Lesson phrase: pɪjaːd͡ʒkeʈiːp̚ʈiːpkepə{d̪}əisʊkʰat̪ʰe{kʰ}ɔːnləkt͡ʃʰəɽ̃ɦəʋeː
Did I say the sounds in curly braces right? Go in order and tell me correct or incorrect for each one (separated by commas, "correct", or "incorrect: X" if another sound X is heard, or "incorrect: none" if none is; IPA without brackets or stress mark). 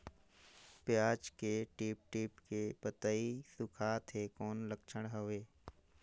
incorrect: t̪, incorrect: k